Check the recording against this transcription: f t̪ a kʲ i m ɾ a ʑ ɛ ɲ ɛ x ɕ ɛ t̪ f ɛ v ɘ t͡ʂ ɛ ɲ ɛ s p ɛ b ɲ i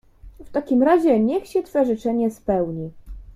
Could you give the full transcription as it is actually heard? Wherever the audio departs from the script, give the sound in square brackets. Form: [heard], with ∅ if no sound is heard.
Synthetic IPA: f t̪ a kʲ i m ɾ a ʑ ɛ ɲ ɛ x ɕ ɛ t̪ f ɛ [ʐ] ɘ t͡ʂ ɛ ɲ ɛ s p ɛ [w] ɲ i